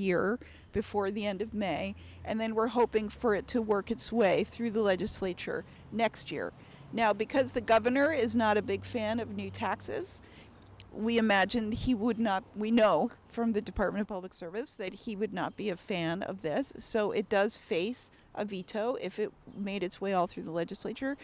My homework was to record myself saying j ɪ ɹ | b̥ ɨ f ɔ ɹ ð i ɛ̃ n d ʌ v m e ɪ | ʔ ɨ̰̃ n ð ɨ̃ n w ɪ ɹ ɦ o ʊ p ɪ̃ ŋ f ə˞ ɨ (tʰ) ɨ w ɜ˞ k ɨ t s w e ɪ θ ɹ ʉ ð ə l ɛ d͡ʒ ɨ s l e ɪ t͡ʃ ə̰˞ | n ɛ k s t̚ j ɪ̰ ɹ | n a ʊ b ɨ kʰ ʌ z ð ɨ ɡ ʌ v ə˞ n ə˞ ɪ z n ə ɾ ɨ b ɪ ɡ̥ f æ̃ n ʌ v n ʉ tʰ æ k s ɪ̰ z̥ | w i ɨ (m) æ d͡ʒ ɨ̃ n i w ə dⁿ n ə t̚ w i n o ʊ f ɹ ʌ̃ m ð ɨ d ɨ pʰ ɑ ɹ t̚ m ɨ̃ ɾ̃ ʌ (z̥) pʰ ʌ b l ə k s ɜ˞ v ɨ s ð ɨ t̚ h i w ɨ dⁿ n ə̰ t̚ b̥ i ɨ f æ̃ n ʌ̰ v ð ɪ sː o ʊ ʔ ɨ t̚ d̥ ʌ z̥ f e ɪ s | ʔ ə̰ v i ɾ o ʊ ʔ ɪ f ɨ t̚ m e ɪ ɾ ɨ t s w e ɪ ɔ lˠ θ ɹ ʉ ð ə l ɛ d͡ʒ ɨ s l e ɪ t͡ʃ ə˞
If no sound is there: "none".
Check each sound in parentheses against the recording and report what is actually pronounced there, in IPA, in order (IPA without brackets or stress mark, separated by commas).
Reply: tʰ, m, v̥